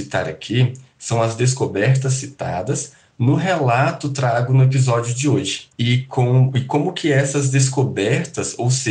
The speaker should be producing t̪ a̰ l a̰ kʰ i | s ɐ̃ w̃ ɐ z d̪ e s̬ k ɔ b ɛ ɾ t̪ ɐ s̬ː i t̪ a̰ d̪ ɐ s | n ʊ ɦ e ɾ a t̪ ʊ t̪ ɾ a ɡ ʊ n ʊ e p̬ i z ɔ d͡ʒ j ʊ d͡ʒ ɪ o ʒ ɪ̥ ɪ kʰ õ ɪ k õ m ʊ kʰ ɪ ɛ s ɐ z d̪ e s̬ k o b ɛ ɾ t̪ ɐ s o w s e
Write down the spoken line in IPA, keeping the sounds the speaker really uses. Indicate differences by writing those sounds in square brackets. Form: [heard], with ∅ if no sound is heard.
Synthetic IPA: t̪ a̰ [ɾ] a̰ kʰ i | s ɐ̃ w̃ ɐ z d̪ e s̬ k [o] b ɛ ɾ t̪ ɐ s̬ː i t̪ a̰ d̪ ɐ s | n ʊ ɦ e [l] a t̪ ʊ t̪ ɾ a ɡ ʊ n ʊ e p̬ i z ɔ d͡ʒ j ʊ d͡ʒ ɪ o ʒ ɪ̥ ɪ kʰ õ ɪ k õ m ʊ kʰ ɪ ɛ s ɐ z d̪ e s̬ k o b ɛ ɾ t̪ ɐ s o w s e